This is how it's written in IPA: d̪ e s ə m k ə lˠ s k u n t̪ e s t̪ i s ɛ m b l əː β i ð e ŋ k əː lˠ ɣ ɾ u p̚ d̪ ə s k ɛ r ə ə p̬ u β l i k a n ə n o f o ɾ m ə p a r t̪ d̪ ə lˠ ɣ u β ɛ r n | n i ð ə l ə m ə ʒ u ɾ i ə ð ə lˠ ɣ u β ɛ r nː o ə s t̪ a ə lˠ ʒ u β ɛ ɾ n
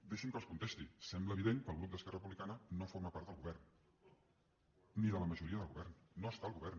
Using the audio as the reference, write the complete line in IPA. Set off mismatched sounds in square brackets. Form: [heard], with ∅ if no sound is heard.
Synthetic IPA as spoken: d̪ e [ʃ] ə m k ə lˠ s k u n t̪ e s t̪ i s ɛ m b l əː β i ð e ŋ k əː lˠ ɣ ɾ u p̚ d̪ ə s k ɛ r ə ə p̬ u β l i k a n ə n o f o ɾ m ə p a [ɾ] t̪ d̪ ə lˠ ɣ u β ɛ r n | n i ð ə l ə m ə ʒ u ɾ i ə ð ə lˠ ɣ u β ɛ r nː o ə s t̪ a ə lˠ [ɣ] u β ɛ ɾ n